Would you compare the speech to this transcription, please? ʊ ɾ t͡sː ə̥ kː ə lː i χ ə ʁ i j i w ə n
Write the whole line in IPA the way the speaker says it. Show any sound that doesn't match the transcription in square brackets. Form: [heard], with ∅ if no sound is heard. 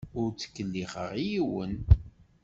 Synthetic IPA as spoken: ʊ ɾ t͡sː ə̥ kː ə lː i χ ə ʁ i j i w ə n